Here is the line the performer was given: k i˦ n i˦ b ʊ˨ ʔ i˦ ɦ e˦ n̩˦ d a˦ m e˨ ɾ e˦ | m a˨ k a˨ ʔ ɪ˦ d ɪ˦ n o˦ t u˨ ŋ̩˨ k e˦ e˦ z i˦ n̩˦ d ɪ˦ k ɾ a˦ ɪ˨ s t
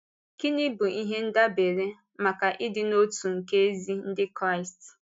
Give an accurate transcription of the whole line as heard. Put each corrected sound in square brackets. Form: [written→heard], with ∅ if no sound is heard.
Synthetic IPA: k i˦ n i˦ b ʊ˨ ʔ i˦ ɦ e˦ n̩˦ d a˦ [m→b] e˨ ɾ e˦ | m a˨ k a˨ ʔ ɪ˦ d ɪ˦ n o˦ t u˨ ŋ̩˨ k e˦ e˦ z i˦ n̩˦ d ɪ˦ k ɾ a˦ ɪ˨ s t